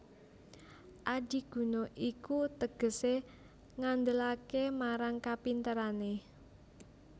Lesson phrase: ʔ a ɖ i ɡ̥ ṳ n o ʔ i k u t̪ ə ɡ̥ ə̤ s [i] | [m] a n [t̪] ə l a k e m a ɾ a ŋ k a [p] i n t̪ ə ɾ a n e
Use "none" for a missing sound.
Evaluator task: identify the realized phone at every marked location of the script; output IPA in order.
e, ŋ, d̪, p

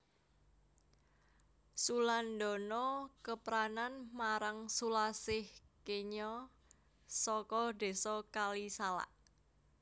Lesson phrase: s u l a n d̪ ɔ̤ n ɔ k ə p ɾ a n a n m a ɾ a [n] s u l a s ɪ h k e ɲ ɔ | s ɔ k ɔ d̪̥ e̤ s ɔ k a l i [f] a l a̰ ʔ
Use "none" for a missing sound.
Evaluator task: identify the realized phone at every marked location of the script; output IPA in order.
ŋ, s

